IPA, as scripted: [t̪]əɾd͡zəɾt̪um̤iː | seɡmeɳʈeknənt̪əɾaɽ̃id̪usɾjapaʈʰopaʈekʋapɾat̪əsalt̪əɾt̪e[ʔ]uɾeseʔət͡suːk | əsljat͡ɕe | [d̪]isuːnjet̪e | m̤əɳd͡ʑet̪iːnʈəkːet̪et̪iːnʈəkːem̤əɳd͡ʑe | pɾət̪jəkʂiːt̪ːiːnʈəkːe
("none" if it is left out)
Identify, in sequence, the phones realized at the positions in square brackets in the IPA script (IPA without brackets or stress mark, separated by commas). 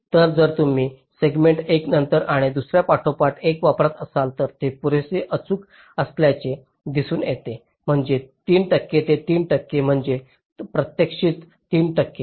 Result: t̪, p, d̪